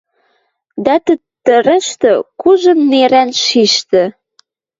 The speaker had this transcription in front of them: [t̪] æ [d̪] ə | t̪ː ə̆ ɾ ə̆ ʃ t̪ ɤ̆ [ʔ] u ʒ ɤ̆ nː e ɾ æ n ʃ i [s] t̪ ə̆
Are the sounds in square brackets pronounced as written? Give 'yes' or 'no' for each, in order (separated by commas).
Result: no, no, no, no